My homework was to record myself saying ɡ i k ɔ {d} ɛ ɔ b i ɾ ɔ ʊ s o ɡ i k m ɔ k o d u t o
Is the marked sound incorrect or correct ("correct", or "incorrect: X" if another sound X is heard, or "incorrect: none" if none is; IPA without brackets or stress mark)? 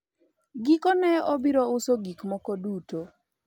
incorrect: n